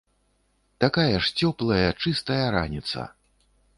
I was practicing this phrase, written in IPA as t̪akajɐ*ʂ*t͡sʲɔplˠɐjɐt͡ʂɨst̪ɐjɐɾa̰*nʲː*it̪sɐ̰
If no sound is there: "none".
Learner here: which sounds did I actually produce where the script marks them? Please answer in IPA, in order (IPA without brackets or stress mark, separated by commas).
ʂ, nʲ